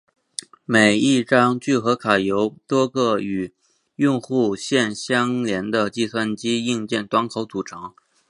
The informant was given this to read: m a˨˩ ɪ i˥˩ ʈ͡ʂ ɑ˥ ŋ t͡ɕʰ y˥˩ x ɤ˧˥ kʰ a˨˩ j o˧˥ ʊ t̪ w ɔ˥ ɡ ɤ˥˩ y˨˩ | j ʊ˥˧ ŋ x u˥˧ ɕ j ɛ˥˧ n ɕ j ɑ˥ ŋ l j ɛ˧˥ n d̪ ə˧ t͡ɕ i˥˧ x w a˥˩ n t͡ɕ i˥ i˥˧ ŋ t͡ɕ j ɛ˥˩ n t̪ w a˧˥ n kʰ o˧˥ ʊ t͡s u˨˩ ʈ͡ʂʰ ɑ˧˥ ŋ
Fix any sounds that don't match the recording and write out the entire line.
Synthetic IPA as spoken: m e˨˩ ɪ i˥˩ ʈ͡ʂ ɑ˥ ŋ t͡ɕ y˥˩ x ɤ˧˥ kʰ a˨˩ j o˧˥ ʊ t̪ w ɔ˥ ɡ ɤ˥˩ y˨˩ | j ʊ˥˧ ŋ x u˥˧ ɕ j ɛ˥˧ n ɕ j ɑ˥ ŋ l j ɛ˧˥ n d̪ ə˧ t͡ɕ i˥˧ s w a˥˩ n t͡ɕ i˥ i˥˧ ŋ t͡ɕ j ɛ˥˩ n t̪ w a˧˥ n kʰ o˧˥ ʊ t͡s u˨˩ ʈ͡ʂʰ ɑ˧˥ ŋ